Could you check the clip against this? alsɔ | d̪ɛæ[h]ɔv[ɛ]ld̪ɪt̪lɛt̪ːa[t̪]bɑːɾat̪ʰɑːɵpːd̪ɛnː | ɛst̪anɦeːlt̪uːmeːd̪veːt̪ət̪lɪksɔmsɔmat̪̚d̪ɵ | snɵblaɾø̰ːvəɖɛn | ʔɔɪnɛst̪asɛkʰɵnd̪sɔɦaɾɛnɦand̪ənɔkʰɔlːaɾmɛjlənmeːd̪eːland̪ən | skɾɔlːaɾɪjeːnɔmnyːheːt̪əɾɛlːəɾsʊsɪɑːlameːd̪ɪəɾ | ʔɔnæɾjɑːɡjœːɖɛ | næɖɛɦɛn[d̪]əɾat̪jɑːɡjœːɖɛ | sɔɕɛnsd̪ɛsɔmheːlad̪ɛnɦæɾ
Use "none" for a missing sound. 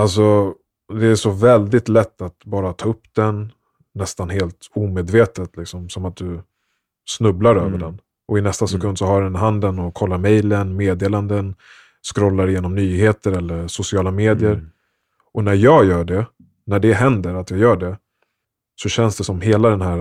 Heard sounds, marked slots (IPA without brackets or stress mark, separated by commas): ʂ, ɛ, t̪, d̪